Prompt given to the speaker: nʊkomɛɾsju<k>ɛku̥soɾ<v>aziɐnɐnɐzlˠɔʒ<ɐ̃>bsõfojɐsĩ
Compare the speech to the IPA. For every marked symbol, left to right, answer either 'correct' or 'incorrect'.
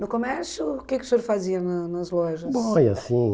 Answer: correct, incorrect: f, incorrect: ɐ

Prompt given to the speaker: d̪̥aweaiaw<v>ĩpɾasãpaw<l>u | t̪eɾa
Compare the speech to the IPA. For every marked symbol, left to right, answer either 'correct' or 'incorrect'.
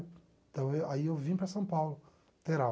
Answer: correct, correct

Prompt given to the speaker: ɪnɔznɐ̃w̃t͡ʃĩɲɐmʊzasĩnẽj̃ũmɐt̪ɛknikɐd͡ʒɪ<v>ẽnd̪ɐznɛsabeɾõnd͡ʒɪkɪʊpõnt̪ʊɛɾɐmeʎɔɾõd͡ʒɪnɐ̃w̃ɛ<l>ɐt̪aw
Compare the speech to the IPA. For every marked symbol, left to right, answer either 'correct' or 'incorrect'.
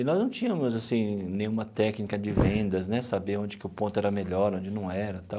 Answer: correct, incorrect: ɾ

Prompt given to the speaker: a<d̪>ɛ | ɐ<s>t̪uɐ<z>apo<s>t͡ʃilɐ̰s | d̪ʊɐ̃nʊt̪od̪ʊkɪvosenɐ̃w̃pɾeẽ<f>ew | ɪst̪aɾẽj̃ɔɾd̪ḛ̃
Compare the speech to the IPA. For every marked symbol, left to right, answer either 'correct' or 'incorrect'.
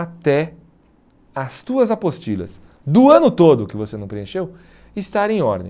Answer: incorrect: t̪, correct, correct, correct, incorrect: ʃ

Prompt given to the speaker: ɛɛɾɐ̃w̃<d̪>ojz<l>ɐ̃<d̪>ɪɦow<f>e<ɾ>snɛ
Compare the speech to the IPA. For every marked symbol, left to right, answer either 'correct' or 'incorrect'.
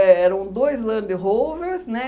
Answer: correct, correct, correct, incorrect: v, correct

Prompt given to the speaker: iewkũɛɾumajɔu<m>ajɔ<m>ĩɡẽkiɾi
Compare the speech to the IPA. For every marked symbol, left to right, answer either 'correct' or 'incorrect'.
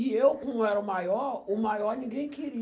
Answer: correct, incorrect: n

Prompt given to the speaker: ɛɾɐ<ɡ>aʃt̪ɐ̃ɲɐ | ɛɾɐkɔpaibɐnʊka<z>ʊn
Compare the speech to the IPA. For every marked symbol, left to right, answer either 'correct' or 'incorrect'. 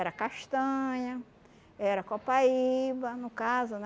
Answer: incorrect: k, correct

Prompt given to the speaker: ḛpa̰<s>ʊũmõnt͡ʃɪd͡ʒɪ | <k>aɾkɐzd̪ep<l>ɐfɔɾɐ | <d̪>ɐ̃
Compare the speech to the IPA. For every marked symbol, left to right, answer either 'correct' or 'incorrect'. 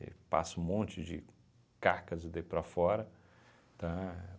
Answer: correct, correct, incorrect: ɾ, incorrect: t̪

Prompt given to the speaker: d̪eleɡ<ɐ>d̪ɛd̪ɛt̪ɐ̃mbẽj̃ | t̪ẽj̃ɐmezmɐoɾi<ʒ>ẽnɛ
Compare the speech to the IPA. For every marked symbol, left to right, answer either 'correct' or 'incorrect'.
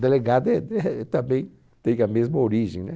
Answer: incorrect: a, correct

